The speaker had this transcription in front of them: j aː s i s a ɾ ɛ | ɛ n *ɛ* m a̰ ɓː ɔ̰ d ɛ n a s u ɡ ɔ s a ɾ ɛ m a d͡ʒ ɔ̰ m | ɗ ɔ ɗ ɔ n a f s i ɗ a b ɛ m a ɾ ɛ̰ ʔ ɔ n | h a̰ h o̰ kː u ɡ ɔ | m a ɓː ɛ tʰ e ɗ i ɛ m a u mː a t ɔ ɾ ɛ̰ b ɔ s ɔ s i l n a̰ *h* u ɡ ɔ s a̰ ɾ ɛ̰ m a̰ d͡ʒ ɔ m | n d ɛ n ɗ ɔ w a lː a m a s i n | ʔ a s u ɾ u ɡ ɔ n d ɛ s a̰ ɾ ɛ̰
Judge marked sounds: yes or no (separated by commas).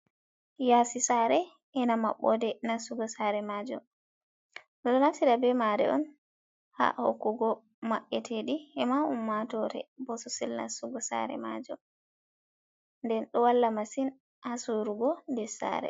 no, no